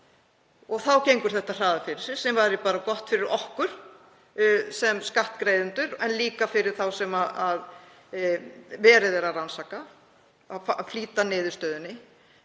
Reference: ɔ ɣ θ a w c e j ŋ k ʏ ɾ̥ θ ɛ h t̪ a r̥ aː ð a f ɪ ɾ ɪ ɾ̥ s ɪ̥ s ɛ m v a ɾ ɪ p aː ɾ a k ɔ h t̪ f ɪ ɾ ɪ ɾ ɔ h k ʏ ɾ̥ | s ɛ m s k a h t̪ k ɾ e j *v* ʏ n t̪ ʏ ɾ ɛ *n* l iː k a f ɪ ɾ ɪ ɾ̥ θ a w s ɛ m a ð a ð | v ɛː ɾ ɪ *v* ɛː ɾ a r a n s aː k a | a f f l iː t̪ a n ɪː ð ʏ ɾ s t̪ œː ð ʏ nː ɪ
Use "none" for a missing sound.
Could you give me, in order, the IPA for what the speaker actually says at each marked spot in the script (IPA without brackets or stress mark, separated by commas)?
ð, n, ð